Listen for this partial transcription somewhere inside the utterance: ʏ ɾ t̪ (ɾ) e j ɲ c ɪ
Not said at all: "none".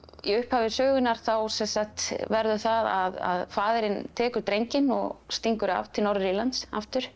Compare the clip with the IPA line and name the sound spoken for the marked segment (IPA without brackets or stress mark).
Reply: ɾ